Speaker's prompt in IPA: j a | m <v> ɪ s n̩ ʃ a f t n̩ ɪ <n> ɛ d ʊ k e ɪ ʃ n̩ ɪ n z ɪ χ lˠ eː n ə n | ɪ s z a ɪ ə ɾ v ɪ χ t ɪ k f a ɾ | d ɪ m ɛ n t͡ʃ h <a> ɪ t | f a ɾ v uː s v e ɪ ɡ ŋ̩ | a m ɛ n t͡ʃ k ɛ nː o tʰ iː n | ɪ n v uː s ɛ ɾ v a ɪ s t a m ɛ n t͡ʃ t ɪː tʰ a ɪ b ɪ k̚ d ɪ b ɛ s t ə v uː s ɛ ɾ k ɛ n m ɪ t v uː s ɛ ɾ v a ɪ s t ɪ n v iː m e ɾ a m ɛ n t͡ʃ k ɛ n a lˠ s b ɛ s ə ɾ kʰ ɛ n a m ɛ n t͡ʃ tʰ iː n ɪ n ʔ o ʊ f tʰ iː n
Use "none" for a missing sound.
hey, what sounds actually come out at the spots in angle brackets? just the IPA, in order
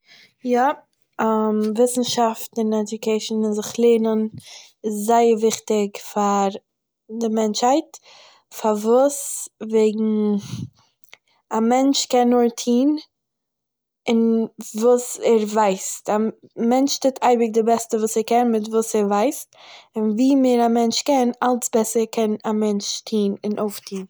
v, n, a

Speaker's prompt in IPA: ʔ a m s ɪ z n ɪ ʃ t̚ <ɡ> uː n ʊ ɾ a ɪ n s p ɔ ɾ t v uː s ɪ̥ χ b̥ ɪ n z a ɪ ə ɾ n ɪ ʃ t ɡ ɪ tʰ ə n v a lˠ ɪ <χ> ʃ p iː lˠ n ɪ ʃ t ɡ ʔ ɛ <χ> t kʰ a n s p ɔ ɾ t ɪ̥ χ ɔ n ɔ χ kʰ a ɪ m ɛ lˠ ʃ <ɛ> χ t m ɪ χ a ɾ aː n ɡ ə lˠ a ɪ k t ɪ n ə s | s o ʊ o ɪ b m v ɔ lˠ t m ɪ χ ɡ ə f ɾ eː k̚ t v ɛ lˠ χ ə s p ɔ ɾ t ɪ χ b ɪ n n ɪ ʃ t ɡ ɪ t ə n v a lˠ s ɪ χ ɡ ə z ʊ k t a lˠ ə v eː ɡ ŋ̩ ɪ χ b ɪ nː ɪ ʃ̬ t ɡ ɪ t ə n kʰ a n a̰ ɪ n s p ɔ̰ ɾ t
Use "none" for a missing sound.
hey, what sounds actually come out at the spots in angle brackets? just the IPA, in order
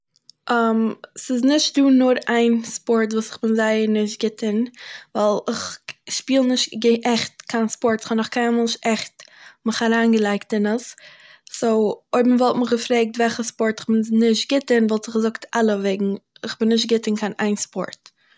d, χ, χ, ɛ

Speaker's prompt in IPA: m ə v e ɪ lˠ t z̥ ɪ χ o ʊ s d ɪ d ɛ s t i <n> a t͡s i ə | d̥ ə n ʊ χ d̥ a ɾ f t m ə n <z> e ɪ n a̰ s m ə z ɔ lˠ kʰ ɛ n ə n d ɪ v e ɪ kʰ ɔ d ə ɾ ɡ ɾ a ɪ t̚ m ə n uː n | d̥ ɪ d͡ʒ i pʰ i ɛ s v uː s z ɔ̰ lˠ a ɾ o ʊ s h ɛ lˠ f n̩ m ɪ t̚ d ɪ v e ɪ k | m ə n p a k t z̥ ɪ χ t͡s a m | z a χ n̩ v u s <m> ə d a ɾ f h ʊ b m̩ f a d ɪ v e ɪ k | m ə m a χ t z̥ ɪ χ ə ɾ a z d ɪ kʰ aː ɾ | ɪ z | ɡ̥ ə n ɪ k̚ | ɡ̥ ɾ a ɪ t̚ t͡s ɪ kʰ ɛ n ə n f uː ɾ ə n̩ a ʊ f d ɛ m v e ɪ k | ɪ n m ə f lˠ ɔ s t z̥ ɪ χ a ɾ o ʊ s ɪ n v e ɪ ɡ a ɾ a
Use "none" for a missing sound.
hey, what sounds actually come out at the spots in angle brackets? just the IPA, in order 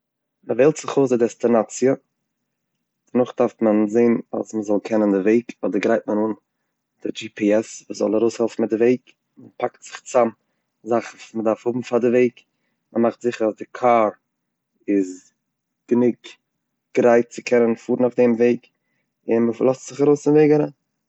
n, z, m

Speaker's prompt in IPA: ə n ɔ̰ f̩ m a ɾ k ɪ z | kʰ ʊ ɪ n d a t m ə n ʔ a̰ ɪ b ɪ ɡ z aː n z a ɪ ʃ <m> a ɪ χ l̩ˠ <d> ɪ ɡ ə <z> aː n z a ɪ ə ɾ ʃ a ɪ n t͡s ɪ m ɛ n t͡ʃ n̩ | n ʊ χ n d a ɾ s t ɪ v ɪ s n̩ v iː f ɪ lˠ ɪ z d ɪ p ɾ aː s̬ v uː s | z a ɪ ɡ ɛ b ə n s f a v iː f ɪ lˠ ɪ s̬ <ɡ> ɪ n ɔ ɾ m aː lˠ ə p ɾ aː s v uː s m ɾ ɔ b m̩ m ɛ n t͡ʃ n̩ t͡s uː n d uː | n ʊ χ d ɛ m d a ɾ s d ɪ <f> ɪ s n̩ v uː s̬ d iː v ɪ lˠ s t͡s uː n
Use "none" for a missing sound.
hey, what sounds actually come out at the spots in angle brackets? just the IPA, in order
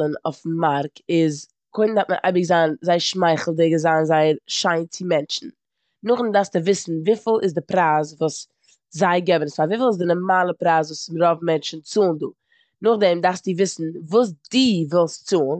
m, d, z, d, v

